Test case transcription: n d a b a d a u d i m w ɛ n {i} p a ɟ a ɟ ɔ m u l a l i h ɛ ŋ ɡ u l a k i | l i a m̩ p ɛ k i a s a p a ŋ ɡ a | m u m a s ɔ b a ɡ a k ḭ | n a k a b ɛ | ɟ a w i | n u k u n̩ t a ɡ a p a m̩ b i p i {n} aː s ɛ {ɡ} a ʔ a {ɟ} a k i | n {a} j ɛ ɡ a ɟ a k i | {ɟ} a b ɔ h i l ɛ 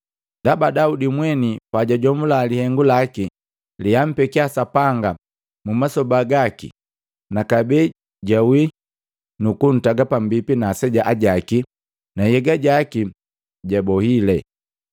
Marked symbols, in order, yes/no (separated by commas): yes, yes, no, yes, yes, yes